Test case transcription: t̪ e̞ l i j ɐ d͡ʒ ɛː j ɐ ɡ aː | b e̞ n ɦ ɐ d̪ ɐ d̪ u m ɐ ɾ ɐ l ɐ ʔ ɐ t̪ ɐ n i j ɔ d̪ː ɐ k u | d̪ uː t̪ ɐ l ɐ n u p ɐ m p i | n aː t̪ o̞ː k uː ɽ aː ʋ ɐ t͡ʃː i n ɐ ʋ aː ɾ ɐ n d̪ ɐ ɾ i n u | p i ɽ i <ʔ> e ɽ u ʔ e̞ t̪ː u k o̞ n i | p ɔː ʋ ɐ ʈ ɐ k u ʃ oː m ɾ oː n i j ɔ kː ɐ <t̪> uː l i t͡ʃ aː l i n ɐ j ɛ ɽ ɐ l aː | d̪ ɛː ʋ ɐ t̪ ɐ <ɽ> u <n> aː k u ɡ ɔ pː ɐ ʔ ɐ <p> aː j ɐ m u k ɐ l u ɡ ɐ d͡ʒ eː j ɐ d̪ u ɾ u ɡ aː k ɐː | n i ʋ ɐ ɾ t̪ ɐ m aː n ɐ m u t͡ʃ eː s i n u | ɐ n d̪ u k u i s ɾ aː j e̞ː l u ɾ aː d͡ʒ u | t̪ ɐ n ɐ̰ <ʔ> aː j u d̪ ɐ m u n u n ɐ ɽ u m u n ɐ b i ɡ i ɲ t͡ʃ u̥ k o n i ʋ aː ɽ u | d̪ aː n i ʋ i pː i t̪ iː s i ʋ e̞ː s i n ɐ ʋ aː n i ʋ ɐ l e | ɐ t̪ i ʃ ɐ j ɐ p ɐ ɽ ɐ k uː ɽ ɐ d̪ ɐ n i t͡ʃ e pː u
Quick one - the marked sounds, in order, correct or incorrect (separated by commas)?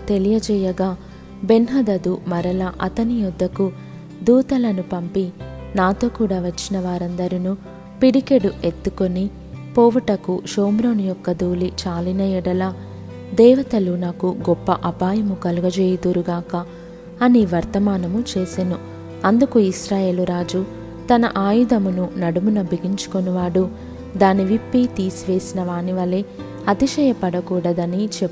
incorrect, incorrect, incorrect, correct, correct, correct